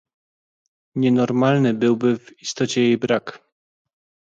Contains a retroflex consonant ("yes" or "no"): no